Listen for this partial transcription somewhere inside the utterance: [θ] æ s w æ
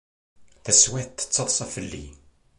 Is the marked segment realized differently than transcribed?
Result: no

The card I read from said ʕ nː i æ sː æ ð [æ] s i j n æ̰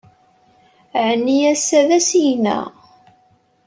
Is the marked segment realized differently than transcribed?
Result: no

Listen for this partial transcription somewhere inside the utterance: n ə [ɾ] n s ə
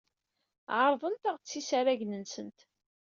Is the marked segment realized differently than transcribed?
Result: yes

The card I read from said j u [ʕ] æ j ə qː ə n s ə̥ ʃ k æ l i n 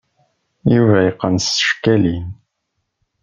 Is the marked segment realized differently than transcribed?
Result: yes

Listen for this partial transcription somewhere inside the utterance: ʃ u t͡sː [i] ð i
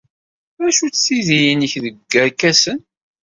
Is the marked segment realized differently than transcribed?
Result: no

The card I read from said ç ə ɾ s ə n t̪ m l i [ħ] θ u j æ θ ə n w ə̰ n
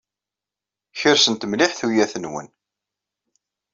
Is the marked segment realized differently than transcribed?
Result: no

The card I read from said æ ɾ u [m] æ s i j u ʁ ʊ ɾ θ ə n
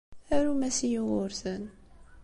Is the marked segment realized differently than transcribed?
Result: no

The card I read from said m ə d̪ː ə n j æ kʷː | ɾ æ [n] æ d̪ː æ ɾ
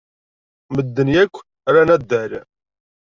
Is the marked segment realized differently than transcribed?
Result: no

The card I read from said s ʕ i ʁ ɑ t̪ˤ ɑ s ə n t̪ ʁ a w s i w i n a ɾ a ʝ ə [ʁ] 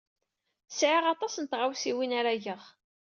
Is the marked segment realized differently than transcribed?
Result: no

